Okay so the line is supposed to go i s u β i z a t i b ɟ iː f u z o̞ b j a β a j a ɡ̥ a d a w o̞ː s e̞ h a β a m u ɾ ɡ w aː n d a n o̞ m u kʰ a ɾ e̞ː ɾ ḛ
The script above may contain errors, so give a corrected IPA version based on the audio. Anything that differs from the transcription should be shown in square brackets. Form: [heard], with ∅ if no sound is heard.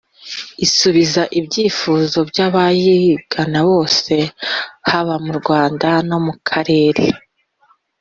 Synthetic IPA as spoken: i s u β i z a [ʔ] i b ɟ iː f u z o̞ b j a β a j [i] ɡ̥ a [n] a [β] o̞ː s e̞ h a β a m u ɾ ɡ w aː n d a n o̞ m u kʰ a ɾ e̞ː ɾ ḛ